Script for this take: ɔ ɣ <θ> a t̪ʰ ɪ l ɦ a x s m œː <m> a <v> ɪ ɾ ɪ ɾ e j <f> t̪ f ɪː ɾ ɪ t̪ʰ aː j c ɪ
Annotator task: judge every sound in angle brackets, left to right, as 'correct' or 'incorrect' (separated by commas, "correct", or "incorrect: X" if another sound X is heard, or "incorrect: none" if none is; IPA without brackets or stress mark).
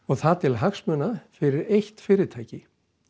correct, incorrect: n, incorrect: f, incorrect: h